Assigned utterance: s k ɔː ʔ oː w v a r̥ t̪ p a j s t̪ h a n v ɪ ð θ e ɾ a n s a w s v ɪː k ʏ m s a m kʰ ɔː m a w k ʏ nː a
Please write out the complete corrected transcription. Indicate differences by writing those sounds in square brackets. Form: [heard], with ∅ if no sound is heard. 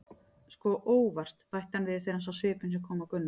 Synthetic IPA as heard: s k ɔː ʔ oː w v a r̥ t̪ p a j [h] t̪ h a n v ɪ ð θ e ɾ a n s a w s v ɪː [p] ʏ [n] s [ɛ] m kʰ ɔː m a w k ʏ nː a